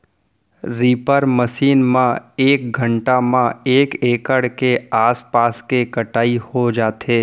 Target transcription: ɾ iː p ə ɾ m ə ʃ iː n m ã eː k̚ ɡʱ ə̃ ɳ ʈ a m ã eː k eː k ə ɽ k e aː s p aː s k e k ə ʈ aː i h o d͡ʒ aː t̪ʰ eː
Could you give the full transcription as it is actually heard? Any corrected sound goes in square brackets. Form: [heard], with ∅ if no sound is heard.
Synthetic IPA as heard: ɾ iː p ə ɾ m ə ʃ iː n m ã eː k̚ ɡʱ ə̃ ɳ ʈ a m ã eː k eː k ə ɽ k e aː s p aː s k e k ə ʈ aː i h o d͡ʒ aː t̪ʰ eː